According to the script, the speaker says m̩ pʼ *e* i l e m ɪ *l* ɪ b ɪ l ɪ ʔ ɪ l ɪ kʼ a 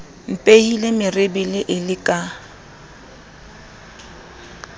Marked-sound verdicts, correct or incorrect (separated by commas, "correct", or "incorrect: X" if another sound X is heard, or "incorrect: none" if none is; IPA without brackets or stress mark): correct, incorrect: r